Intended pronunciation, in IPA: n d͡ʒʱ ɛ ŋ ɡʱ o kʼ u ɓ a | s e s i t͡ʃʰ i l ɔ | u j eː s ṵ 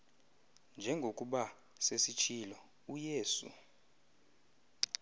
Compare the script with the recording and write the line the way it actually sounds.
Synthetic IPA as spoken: n d͡ʒʱ ɛ ŋ ɡʱ o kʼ u ɓ a | s e s i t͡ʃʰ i l ɔ | u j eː s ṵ